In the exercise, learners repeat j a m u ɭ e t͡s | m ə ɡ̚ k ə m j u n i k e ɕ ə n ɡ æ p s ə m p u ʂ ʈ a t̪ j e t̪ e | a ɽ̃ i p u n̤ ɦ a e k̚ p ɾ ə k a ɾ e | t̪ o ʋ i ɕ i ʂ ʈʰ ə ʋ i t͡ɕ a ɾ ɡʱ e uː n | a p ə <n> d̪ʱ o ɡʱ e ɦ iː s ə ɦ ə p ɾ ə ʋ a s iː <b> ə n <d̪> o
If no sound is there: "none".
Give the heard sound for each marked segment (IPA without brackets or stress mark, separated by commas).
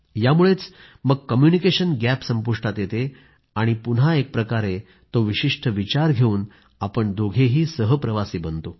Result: ɳ, b, t̪